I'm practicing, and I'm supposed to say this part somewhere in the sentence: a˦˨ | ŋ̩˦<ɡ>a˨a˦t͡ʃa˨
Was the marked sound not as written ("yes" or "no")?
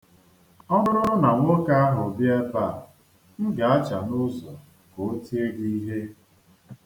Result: no